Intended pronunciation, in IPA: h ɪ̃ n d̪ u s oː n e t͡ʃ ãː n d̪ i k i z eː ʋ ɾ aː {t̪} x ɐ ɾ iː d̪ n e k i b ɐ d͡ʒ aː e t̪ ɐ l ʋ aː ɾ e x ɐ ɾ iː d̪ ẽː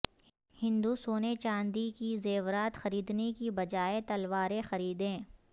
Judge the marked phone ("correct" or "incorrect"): correct